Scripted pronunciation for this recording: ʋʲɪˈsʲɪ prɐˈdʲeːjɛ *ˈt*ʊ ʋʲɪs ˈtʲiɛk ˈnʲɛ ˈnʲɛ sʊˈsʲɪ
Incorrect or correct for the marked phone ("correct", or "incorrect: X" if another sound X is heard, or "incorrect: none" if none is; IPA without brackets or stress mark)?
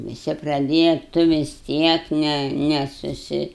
correct